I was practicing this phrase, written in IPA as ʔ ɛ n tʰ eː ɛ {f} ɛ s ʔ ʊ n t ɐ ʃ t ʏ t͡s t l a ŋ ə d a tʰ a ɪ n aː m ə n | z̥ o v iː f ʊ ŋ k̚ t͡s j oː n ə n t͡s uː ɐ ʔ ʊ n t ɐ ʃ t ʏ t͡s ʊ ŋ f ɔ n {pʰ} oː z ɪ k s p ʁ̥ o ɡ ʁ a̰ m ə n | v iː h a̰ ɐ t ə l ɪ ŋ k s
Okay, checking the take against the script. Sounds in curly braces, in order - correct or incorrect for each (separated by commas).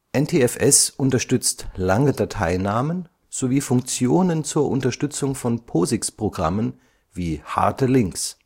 correct, correct